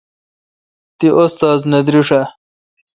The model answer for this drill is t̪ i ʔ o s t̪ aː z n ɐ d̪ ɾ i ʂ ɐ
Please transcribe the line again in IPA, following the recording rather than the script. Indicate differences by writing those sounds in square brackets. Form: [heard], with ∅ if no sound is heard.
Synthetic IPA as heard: t̪ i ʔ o s t̪ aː z n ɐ d̪ ɾ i ʂ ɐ